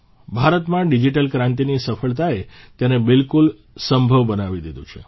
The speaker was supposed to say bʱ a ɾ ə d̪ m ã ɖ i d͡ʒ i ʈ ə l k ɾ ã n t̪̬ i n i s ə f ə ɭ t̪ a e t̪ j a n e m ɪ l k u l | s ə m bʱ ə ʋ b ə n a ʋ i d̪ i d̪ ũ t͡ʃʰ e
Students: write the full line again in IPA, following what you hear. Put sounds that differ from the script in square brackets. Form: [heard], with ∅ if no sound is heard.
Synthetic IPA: bʱ a ɾ ə [t̪] m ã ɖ i d͡ʒ i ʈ ə l k ɾ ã n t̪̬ i n i s ə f ə ɭ t̪ a e t̪ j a n e [b] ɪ l k u l | s ə m bʱ ə ʋ b ə n a ʋ i d̪ i d̪ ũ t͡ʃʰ e

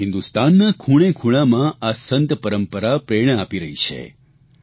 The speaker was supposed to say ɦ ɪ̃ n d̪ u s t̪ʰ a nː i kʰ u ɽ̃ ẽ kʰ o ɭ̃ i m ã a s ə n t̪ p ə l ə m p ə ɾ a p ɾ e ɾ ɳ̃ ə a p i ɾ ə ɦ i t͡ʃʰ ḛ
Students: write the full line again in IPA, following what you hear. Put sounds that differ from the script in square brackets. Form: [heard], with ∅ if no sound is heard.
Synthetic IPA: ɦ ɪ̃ n d̪ u s [t̪] a nː [a] kʰ u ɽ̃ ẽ kʰ [u] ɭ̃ [a] m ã a s ə n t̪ p ə [ɾ] ə m p ə ɾ a p ɾ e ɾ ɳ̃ ə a p i ɾ ə ɦ i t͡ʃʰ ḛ

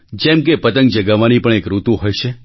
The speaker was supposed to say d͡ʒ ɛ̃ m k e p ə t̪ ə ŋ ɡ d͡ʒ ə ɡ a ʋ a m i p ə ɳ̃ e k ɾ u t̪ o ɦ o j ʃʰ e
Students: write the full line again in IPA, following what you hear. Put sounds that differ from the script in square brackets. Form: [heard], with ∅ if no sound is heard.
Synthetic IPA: d͡ʒ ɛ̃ m k e p ə t̪ ə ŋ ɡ d͡ʒ ə ɡ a ʋ a [n] i p ə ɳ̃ e k ɾ u t̪ [u] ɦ o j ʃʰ e

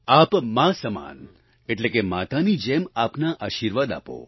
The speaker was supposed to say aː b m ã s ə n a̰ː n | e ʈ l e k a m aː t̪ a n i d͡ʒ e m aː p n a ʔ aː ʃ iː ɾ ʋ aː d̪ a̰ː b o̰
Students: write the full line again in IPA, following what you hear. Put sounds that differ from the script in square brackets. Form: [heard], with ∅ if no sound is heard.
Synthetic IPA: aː [p] m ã s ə [m] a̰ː n | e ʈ l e k [e] m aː t̪ a n i d͡ʒ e m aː p n a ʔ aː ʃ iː ɾ ʋ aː d̪ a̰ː [p] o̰

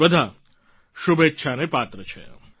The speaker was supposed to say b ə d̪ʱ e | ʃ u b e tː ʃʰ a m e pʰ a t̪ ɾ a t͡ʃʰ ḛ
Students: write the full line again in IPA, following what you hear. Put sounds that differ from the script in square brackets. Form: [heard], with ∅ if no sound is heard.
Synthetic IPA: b ə d̪ʱ [a] | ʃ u b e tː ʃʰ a [n] e [p] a t̪ ɾ [ə] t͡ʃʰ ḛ

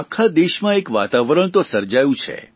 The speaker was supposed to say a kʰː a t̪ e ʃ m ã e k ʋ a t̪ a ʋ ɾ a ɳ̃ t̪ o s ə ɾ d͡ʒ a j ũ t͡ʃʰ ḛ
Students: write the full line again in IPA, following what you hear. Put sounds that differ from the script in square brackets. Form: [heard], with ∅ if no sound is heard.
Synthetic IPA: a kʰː a [d̪] e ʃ m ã e k ʋ a t̪ a ʋ ɾ [ə] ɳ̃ t̪ o s ə ɾ d͡ʒ a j ũ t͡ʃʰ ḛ

